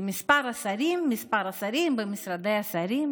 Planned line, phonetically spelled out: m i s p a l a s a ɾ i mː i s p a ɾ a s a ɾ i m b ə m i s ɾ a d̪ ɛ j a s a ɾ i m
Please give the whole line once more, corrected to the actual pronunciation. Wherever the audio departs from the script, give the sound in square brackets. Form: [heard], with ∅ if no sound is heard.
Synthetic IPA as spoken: m i s p a [ɾ] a s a ɾ i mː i s p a ɾ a s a ɾ i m b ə m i s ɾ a d̪ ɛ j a s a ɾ i m